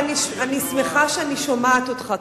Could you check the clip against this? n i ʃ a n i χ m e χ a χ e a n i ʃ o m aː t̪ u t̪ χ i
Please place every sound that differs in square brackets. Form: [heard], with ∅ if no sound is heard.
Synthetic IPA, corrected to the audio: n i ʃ a n i [s] m e χ a [ʃ] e a n i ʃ o m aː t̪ [o] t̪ χ [a]